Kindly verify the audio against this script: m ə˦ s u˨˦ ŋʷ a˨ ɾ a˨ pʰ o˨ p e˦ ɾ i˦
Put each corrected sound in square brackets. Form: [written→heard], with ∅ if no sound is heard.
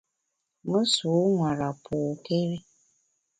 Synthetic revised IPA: m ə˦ s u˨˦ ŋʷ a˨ ɾ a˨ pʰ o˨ [p→k] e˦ ɾ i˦